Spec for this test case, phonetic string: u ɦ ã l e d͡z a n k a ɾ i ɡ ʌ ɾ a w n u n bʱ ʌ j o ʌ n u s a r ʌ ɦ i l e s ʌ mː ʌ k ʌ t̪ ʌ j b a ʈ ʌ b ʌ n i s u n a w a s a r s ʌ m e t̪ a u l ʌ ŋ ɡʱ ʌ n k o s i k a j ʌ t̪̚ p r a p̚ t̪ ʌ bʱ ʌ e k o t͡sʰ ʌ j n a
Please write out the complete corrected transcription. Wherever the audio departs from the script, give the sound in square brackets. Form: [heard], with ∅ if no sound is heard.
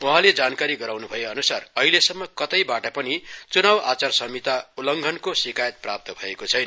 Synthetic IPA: u ɦ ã l e d͡z a n k a ɾ i ɡ ʌ ɾ a w n u [∅] bʱ ʌ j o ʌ n u s a r ʌ ɦ i l e s ʌ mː ʌ k ʌ t̪ ʌ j b a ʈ ʌ [p] ʌ n i [t͡s] u n a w a [t͡s] a r s ʌ m [i] t̪ a u l ʌ ŋ ɡʱ ʌ n k o s i k a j ʌ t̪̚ p r a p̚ t̪ ʌ bʱ ʌ e k o t͡sʰ ʌ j n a